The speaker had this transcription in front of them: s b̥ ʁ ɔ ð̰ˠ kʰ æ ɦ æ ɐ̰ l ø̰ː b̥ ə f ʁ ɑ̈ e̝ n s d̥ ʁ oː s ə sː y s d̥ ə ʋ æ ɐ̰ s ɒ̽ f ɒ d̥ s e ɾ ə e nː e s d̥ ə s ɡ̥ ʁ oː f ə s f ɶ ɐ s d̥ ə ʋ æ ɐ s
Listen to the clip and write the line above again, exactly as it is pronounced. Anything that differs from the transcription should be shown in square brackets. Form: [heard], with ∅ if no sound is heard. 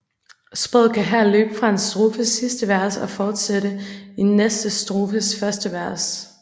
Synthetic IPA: s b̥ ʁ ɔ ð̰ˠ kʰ æ ɦ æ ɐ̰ l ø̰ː b̥ ə f ʁ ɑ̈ e̝ n s d̥ ʁ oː [f] ə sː [i] s d̥ ə ʋ æ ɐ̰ s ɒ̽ f [ɒː] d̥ s e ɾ ə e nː e s d̥ ə s [d̥] ʁ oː f ə s f ɶ ɐ s d̥ ə ʋ æ ɐ s